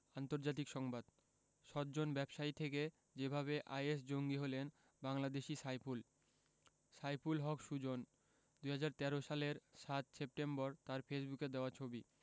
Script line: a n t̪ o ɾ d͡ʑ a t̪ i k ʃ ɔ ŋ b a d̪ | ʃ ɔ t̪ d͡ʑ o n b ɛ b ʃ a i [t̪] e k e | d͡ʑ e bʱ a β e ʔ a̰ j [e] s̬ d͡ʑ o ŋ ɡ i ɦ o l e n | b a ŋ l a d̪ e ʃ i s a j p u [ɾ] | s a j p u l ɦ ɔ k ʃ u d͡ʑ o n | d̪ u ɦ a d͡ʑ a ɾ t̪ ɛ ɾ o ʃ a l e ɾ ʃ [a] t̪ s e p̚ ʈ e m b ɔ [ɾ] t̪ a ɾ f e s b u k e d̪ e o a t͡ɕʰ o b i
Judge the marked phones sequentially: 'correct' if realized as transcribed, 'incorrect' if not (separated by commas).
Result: incorrect, correct, incorrect, correct, correct